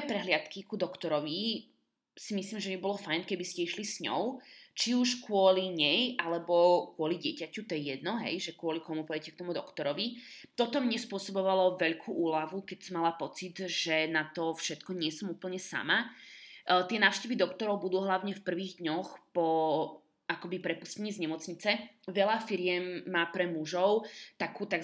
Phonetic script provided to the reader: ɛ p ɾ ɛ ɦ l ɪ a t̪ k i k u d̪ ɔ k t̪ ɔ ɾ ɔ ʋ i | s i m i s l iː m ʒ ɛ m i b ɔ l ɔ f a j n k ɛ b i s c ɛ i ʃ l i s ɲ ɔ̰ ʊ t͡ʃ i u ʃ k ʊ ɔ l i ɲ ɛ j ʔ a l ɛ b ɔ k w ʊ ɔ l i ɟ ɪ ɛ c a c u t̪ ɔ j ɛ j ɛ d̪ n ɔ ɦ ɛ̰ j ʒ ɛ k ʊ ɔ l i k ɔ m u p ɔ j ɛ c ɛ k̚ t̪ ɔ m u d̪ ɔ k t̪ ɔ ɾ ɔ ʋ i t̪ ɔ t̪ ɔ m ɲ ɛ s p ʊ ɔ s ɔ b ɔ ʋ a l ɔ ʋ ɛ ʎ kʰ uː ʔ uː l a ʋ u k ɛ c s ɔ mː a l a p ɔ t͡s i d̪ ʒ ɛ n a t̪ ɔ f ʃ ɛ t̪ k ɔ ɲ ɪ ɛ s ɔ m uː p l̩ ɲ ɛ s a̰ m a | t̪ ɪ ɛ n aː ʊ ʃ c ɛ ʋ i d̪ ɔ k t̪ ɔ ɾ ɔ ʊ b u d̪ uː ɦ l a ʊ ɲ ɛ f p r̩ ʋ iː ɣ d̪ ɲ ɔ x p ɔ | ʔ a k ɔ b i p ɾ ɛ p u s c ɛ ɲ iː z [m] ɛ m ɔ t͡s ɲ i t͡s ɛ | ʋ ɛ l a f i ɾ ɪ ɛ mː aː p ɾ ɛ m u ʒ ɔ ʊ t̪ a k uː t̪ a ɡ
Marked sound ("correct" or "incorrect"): incorrect